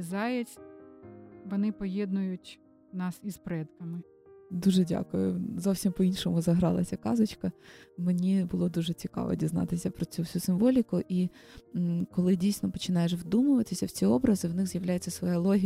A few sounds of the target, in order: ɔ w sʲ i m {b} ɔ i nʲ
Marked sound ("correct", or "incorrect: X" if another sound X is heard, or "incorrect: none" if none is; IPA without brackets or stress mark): incorrect: p